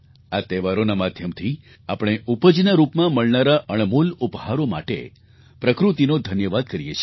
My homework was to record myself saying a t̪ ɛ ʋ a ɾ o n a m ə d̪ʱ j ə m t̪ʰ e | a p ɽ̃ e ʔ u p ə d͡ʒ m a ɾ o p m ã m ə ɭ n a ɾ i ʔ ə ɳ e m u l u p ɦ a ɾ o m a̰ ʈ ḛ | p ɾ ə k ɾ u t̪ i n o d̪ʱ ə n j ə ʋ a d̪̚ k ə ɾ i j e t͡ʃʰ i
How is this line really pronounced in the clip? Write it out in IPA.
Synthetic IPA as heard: a t̪ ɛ ʋ a ɾ o n a m a d̪ʱ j ə m t̪ʰ i | a p ɽ̃ e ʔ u p ə d͡ʒ n a ɾ u p m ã m ə ɭ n a ɾ a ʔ ə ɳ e m u l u p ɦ a ɾ o m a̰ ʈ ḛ | p ɾ ə k ɾ u t̪ i n o d̪ʱ ə n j ə ʋ a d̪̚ k ə ɾ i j e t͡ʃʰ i